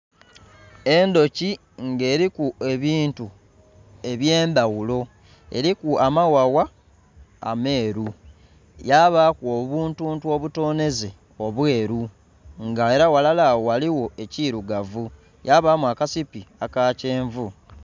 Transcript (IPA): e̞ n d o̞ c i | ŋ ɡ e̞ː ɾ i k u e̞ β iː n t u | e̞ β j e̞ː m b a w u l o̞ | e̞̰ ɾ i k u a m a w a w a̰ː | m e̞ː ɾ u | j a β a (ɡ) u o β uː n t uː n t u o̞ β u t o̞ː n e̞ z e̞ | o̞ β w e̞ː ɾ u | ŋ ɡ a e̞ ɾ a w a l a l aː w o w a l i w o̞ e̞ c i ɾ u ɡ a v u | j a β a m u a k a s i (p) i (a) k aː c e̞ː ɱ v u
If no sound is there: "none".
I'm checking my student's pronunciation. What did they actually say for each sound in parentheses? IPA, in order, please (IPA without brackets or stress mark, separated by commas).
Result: k, p, a